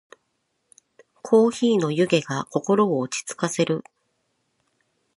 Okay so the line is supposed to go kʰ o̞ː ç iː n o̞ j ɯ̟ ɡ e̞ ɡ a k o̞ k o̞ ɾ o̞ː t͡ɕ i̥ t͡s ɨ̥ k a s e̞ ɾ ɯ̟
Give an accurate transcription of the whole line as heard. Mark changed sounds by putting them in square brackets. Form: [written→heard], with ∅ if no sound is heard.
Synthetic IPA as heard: kʰ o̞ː ç iː n o̞ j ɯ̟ ɡ e̞ ɡ a k o̞ k o̞ ɾ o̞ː t͡ɕ i̥ t͡s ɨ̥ k a s e̞ ɾ ɯ̟